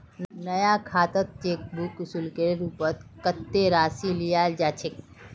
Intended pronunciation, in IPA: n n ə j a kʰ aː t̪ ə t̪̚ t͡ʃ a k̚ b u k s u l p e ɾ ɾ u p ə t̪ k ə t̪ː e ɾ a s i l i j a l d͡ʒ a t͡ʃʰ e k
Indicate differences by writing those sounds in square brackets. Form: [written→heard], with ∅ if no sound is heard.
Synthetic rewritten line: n n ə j a kʰ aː t̪ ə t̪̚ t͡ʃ [a→e] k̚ b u k s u l [p→k] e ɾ ɾ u p ə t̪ k ə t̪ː e ɾ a s i l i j a l d͡ʒ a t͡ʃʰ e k